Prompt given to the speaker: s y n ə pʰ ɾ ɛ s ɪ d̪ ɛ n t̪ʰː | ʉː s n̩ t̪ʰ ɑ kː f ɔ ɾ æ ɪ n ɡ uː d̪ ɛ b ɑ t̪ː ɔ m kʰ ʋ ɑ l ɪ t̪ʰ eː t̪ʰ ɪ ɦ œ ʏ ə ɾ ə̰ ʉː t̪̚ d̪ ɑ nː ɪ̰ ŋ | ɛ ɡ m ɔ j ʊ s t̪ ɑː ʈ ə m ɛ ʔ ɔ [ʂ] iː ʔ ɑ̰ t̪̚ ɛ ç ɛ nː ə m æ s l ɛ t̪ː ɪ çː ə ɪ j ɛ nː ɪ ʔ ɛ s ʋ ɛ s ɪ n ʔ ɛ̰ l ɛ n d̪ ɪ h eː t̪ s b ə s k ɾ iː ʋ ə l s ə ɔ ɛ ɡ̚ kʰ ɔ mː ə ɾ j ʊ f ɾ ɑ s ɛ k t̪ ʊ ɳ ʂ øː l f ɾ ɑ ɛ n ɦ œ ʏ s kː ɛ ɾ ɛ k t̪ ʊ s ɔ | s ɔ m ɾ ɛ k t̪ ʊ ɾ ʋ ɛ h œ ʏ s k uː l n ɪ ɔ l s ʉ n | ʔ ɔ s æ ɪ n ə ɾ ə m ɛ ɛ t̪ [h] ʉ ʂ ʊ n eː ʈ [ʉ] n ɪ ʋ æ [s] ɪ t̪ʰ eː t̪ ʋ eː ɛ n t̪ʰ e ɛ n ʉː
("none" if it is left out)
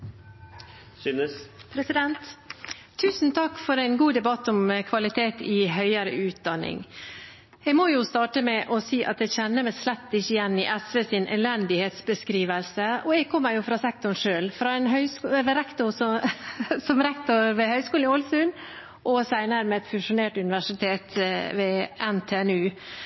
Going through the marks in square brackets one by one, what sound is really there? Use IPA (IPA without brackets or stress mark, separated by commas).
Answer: s, f, ʉ, ʂ